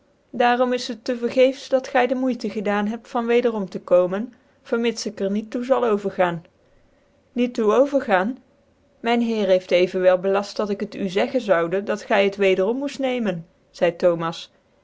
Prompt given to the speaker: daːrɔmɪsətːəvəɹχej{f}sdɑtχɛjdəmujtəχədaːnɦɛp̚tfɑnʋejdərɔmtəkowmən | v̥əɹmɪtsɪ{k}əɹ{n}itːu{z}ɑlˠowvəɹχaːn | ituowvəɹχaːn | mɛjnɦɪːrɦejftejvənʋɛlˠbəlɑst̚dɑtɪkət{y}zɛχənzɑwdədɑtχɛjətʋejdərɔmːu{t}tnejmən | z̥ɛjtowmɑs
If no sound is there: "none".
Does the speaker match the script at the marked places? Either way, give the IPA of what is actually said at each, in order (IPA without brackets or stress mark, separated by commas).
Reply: f, k, n, z, y, s